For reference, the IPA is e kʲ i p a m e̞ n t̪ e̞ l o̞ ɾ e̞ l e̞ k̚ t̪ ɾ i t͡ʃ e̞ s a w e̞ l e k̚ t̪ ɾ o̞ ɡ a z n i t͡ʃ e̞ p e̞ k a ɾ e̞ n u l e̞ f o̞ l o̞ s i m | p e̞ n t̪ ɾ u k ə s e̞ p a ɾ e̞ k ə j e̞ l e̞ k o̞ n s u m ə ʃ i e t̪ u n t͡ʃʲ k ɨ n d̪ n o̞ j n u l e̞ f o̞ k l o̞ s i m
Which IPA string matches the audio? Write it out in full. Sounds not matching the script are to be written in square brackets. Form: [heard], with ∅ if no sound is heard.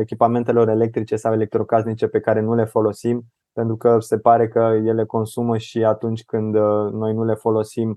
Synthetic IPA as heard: e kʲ i p a m e̞ n t̪ e̞ l o̞ ɾ e̞ l e̞ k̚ t̪ ɾ i t͡ʃ e̞ s a w e̞ l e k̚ t̪ ɾ o̞ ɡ a z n i t͡ʃ e̞ p e̞ k a ɾ e̞ n u l e̞ f o̞ l o̞ s i m | p e̞ n t̪ ɾ u k ə s e̞ p a ɾ e̞ k ə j e̞ l e̞ k o̞ n s u m ə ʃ i [a] t̪ u n t͡ʃʲ k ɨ n d̪ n o̞ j n u l e̞ f o̞ [∅] l o̞ s i m